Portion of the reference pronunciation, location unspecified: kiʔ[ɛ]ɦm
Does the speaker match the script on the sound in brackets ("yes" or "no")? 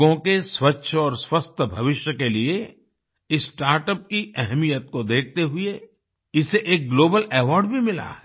yes